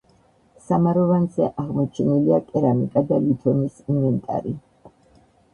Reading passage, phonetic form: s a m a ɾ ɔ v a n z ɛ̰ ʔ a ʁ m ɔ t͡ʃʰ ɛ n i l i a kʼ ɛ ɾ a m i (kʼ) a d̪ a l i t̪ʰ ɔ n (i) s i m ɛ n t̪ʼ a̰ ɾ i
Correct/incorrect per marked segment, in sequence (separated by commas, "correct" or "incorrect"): correct, correct